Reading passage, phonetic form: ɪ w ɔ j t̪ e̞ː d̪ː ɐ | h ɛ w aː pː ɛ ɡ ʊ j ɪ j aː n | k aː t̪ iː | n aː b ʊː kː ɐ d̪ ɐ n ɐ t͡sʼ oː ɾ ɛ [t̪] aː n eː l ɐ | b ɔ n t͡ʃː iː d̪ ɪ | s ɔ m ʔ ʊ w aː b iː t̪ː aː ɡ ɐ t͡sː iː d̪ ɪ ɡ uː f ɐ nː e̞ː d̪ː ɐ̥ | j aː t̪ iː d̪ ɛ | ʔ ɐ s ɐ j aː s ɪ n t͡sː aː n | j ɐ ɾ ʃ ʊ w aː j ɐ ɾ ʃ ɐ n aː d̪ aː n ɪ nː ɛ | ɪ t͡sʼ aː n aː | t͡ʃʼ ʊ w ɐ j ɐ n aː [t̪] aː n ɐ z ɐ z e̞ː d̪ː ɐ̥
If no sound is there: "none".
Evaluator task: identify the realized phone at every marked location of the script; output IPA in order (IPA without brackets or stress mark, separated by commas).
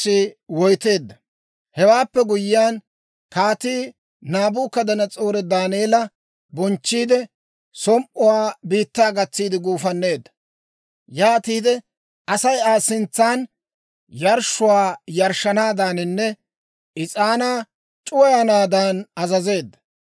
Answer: d̪, d̪